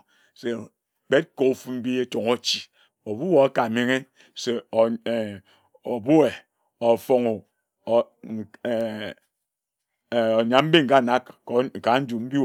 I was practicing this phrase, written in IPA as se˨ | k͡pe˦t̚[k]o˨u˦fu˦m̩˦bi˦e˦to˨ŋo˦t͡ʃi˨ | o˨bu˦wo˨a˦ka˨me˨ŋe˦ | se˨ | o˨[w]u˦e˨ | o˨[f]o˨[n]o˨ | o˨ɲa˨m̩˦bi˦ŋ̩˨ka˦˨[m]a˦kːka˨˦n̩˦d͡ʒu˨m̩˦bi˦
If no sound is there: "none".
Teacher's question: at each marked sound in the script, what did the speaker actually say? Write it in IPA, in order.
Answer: k, b, f, ŋ, n

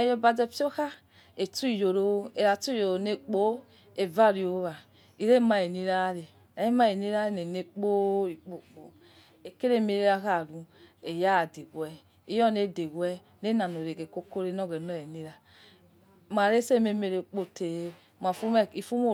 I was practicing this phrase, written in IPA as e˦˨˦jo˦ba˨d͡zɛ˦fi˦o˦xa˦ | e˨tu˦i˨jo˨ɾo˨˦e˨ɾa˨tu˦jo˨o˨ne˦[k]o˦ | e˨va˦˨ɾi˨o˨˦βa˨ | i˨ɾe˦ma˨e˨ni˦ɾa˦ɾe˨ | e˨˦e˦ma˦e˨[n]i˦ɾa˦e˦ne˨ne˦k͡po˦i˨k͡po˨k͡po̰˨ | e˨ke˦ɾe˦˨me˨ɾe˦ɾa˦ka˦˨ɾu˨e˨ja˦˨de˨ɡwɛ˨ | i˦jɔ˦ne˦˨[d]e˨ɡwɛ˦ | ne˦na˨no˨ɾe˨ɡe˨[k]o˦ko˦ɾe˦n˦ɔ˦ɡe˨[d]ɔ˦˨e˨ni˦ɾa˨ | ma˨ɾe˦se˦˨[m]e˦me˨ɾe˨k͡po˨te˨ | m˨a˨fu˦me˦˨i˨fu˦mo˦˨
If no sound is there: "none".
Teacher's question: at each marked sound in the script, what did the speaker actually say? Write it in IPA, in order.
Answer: k͡p, n, d, k, n, m

